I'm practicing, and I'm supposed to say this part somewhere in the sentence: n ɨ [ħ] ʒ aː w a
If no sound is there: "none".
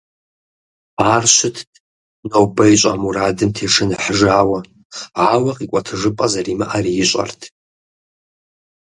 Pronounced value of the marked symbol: ħ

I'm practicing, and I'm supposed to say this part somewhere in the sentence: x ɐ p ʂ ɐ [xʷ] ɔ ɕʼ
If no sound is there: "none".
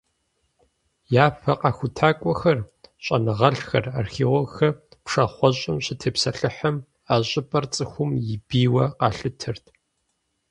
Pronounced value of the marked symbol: χʷ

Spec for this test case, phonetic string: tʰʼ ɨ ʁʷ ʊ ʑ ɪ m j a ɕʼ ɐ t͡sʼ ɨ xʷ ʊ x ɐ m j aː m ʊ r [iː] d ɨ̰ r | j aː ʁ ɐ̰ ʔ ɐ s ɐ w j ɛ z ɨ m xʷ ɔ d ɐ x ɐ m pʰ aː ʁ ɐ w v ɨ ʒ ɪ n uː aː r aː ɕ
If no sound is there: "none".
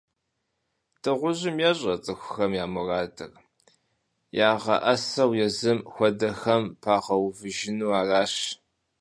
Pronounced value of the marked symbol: aː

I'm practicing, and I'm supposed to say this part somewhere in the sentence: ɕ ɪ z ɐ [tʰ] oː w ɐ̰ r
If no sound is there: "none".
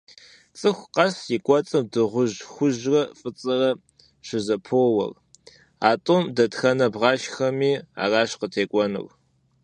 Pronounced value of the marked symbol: pʰ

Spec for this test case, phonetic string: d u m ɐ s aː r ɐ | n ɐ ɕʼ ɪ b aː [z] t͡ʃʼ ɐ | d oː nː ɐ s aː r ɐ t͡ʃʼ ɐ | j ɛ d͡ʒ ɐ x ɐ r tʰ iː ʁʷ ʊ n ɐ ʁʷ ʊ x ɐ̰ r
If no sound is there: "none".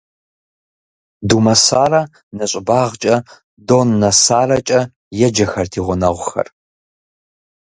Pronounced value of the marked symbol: ʁ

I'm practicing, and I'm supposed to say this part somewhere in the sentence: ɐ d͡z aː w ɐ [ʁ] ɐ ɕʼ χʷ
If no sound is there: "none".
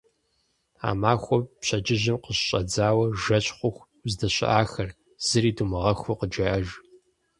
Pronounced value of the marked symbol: ʒ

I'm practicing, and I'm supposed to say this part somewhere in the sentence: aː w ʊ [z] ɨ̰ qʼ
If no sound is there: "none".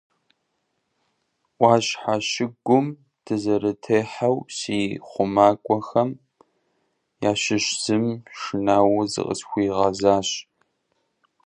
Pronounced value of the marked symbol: z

